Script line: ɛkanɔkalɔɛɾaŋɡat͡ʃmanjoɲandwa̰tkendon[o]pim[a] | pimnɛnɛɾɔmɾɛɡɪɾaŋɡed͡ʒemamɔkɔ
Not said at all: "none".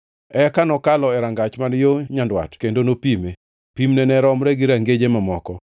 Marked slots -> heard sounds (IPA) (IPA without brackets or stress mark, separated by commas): o, e